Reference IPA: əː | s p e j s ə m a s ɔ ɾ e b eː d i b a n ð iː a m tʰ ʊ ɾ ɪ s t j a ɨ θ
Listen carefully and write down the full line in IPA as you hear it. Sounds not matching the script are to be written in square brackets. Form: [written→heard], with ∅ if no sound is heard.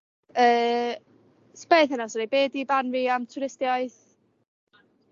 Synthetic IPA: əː | s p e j [s→θ] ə [m→n] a s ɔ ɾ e b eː d i b a n [ð→v] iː a m tʰ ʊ ɾ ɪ s t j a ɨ θ